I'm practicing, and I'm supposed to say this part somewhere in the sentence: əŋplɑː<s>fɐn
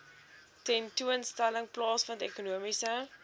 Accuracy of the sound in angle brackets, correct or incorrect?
correct